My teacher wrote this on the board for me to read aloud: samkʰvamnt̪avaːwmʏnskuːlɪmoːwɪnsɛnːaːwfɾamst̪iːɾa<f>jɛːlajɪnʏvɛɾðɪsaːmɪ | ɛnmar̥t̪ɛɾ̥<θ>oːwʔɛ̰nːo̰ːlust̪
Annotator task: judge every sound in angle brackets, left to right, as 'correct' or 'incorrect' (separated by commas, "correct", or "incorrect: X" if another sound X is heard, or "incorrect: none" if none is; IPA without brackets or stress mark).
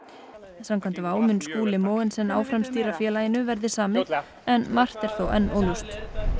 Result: correct, correct